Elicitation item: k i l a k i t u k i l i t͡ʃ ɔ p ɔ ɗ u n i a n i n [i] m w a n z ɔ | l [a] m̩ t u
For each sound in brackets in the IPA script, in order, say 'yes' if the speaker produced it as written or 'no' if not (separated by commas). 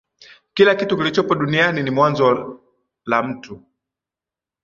yes, yes